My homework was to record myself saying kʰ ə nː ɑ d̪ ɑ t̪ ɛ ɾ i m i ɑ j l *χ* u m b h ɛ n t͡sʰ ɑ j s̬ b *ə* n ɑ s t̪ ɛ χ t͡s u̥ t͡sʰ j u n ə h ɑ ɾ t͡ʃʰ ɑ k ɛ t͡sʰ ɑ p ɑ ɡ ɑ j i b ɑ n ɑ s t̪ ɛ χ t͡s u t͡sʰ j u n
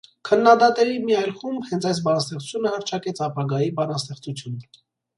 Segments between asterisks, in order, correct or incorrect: correct, incorrect

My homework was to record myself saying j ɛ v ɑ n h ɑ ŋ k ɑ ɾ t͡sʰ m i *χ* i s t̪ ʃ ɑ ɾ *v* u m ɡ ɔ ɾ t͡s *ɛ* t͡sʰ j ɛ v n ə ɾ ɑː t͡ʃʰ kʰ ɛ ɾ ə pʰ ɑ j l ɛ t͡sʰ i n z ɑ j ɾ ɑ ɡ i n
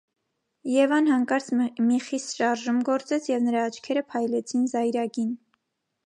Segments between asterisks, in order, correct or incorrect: correct, incorrect, correct

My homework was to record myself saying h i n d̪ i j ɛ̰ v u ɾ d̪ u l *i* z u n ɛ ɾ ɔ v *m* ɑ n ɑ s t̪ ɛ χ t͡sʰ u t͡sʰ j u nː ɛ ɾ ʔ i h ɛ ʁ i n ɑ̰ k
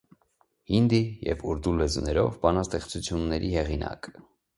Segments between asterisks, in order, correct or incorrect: incorrect, incorrect

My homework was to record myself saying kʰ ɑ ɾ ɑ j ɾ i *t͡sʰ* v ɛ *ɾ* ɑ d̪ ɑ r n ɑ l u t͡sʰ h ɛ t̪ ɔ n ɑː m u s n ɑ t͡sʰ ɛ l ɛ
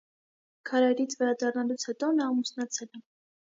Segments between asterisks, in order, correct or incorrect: correct, correct

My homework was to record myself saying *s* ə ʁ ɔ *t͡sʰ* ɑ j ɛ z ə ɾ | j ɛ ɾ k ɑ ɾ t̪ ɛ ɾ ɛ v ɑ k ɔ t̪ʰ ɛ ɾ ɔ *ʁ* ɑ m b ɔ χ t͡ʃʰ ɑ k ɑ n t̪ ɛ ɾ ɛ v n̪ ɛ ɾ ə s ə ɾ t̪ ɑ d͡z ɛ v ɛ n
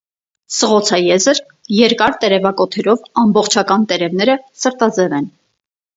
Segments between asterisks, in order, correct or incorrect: correct, correct, incorrect

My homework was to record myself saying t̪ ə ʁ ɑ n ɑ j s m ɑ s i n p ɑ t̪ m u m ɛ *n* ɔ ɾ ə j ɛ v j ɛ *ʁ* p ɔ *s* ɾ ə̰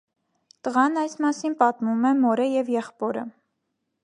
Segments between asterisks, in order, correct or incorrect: incorrect, incorrect, incorrect

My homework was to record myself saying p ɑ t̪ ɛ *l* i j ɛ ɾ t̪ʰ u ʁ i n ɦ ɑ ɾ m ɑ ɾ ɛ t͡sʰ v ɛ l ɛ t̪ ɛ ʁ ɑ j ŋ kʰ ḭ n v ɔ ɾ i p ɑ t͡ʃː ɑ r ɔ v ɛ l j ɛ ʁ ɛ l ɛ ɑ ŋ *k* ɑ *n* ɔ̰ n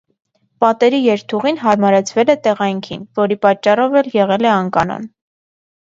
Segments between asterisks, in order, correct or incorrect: incorrect, correct, correct

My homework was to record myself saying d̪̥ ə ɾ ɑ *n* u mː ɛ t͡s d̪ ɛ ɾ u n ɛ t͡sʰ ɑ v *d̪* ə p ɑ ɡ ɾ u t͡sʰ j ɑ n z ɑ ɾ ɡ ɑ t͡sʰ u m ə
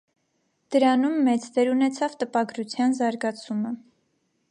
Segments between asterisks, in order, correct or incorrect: correct, incorrect

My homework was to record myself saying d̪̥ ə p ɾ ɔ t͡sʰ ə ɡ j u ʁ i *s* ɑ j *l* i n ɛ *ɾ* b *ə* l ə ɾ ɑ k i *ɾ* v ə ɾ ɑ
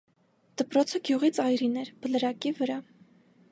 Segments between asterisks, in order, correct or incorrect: incorrect, incorrect, correct, correct, incorrect

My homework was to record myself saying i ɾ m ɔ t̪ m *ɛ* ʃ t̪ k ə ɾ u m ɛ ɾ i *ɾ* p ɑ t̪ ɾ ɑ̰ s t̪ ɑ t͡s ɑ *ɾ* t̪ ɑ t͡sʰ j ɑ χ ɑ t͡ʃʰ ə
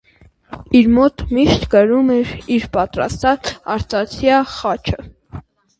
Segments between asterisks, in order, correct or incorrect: incorrect, correct, correct

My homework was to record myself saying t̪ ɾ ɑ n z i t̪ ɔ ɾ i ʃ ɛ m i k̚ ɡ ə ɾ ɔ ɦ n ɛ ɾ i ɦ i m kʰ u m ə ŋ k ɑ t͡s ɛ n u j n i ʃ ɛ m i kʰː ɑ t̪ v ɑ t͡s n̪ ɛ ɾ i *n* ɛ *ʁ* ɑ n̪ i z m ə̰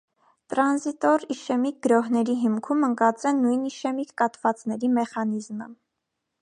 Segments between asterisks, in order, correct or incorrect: incorrect, incorrect

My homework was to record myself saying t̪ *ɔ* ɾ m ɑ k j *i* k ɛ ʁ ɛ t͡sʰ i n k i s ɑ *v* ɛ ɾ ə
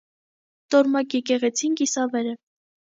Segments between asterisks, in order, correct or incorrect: correct, incorrect, correct

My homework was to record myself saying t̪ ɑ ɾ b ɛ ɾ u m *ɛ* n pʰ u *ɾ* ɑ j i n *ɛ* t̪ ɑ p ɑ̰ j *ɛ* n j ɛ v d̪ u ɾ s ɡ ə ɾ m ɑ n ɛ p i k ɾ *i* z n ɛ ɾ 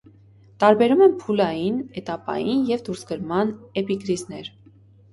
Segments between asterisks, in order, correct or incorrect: correct, incorrect, correct, incorrect, correct

